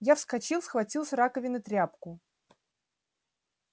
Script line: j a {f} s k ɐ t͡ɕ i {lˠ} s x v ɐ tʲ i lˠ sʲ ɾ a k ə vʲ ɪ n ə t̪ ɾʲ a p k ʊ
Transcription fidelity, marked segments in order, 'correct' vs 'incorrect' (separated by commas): correct, correct